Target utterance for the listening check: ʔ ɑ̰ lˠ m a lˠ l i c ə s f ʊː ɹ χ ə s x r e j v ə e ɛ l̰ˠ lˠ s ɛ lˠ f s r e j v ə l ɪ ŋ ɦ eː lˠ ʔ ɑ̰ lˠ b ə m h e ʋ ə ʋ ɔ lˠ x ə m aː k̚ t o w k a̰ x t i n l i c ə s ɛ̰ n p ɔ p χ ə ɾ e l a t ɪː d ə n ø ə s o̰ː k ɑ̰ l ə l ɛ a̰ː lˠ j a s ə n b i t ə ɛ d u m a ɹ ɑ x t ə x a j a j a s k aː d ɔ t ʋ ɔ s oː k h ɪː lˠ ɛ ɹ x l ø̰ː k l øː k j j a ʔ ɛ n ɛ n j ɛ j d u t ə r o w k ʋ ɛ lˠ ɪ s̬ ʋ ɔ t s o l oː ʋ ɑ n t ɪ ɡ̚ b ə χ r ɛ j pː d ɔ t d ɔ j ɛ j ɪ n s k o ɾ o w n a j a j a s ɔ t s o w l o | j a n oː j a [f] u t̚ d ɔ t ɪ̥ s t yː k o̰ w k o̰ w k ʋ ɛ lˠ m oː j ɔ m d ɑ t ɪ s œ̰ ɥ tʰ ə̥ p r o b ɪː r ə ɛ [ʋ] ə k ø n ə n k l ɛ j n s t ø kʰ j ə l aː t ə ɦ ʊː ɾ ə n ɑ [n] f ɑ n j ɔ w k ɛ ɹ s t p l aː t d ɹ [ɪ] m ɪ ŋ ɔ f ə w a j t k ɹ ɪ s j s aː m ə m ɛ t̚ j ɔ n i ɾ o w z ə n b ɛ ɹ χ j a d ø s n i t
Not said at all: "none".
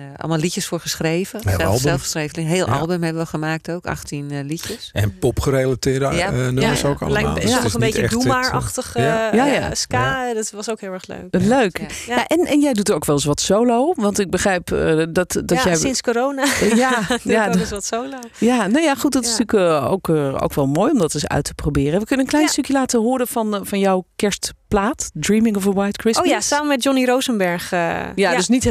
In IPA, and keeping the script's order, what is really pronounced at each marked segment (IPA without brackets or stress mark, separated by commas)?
χ, ʋ, n, i